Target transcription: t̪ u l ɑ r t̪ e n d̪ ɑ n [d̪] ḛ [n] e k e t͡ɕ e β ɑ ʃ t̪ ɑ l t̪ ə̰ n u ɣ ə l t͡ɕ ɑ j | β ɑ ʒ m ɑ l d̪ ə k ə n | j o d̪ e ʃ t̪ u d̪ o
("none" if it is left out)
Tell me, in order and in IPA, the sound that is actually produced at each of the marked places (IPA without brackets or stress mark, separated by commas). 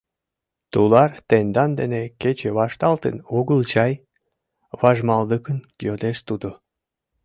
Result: d̪, n